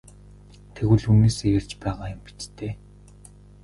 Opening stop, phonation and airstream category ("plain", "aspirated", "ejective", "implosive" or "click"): aspirated